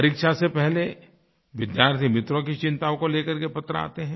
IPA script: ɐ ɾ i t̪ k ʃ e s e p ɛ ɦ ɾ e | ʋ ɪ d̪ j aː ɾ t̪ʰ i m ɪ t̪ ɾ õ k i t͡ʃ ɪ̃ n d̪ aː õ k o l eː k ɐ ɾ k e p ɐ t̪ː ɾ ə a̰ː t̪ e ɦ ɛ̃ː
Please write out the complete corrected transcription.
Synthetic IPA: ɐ ɾ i k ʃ a s e p ɛ ɦ l e | ʋ ɪ d̪ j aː ɾ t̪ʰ i m ɪ t̪ ɾ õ k i t͡ʃ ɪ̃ n t̪ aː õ k o l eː k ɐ ɾ k e p ɐ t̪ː ɾ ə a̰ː t̪ e ɦ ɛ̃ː

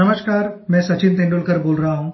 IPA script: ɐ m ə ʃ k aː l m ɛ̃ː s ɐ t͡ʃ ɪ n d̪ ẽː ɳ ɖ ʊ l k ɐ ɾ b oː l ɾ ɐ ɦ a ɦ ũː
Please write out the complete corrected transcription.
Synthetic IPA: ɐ m ə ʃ k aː ɾ m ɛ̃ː s ɐ t͡ʃ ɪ n t̪ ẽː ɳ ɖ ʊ l k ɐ ɾ b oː l ɾ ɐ ɦ a ɦ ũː

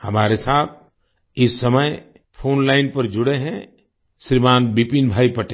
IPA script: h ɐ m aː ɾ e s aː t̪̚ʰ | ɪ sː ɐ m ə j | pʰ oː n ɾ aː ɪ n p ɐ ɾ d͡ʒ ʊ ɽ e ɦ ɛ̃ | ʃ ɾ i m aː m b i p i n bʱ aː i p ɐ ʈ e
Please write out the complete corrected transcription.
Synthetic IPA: h ɐ m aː ɾ e s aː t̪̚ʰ | ɪ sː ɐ m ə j | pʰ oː n l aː ɪ n p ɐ ɾ d͡ʒ ʊ ɽ e ɦ ɛ̃ | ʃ ɾ i m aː n b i p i n bʱ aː i p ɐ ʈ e

